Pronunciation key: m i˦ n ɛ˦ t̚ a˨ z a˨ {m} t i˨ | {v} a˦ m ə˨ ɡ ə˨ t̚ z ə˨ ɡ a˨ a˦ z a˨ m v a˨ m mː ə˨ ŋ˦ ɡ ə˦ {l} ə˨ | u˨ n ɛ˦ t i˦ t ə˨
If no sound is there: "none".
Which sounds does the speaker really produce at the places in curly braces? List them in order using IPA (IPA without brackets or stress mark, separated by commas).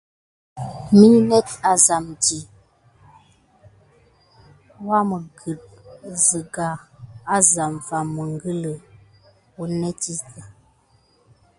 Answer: m, w, l